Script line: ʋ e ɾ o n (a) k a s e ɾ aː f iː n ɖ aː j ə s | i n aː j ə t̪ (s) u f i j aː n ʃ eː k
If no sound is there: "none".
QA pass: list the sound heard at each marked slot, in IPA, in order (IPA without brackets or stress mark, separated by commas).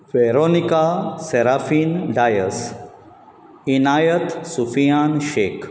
i, s